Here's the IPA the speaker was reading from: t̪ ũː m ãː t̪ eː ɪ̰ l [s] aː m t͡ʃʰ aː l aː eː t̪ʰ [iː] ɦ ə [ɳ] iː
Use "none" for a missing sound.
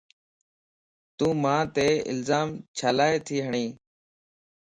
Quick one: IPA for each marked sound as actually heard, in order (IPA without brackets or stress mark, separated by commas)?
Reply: z, iː, ɳ